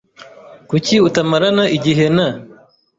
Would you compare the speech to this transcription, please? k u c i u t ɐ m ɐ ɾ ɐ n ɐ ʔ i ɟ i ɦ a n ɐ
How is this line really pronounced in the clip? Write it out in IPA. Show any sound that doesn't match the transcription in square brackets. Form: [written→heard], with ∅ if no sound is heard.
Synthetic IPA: k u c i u t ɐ m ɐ ɾ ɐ n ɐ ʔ i ɟ i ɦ [a→e] n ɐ